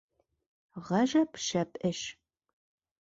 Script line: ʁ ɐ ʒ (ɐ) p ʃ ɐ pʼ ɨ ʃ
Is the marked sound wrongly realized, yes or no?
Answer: no